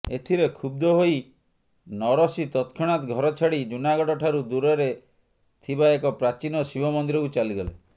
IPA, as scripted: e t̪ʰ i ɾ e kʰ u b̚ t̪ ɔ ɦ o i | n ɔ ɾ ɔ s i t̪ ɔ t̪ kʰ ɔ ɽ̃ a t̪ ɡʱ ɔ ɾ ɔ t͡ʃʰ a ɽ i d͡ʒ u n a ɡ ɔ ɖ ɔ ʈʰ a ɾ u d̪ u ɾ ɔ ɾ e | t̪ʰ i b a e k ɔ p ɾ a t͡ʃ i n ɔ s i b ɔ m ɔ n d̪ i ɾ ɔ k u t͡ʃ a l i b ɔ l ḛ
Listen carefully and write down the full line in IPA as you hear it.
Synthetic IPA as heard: e t̪ʰ i ɾ e kʰ u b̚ d̪ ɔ ɦ o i | n ɔ ɾ ɔ s i t̪ ɔ t̪ kʰ ɔ ɽ̃ a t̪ ɡʱ ɔ ɾ ɔ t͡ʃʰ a ɽ i d͡ʒ u n a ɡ ɔ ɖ ɔ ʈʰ a ɾ u d̪ u ɾ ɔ ɾ e | t̪ʰ i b a e k ɔ p ɾ a t͡ʃ i n ɔ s i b ɔ m ɔ n d̪ i ɾ ɔ k u t͡ʃ a l i ɡ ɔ l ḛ